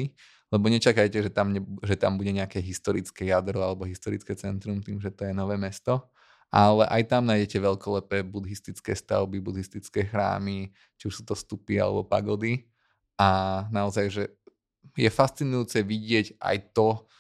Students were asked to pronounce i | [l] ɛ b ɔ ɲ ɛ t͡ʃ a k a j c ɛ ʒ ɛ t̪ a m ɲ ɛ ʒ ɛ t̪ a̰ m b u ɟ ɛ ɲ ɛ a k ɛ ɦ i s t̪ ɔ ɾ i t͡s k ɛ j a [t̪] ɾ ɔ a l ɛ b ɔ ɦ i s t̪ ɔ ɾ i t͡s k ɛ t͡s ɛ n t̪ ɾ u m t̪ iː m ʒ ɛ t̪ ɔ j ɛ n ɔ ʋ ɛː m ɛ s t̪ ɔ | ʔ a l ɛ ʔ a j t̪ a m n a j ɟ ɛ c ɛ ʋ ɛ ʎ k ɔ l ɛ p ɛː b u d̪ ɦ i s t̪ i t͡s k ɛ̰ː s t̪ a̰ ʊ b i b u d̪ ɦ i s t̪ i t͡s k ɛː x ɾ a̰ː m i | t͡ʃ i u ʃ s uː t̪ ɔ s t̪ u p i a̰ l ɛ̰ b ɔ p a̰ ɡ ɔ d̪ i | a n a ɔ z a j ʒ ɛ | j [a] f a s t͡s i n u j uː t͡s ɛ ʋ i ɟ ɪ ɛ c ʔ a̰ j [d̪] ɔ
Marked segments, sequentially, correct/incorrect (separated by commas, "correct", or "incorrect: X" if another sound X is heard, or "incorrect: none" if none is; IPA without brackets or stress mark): correct, incorrect: d̪, incorrect: ɛ, incorrect: t̪